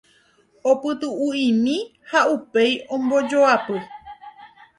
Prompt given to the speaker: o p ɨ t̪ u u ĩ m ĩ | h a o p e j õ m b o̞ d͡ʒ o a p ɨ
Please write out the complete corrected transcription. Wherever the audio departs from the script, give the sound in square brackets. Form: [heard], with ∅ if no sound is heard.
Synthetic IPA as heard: o p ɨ t̪ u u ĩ m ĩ | h a [u] p e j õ m b o̞ d͡ʒ o a p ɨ